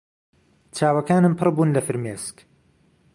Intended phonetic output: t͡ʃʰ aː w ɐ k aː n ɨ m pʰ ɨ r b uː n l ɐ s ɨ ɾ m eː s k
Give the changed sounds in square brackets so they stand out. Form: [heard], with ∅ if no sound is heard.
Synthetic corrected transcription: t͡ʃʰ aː w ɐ k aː n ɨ m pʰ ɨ r b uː n l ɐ [f] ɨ ɾ m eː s k